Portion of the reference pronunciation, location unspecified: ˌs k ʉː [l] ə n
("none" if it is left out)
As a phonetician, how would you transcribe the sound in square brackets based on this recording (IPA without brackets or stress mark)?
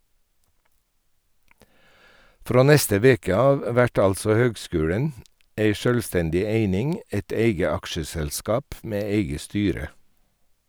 ɽ